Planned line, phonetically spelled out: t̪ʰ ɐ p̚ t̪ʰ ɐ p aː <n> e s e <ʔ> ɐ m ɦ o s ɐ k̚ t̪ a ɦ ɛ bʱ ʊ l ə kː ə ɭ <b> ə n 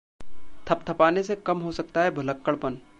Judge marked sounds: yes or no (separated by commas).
yes, no, no